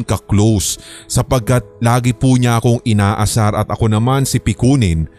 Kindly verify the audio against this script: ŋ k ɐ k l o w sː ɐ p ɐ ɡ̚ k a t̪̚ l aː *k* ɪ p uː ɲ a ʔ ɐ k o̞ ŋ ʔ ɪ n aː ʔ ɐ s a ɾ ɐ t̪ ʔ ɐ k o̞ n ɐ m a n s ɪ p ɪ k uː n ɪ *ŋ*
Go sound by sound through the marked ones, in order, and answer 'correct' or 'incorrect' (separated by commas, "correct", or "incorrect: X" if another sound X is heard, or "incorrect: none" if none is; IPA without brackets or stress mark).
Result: incorrect: ɡ, incorrect: n